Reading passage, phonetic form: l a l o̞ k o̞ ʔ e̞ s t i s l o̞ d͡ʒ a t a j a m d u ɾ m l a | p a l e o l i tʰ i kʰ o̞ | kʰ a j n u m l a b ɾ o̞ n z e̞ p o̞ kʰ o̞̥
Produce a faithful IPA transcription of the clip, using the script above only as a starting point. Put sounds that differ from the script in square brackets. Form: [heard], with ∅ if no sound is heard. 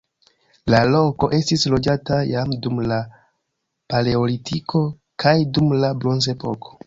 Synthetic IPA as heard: l a l o̞ k o̞ ʔ e̞ s t i s l o̞ d͡ʒ a t a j a m d u [∅] m l a | p a l e o l i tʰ i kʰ o̞ | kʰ a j [d] u m l a b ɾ o̞ n z e̞ p o̞ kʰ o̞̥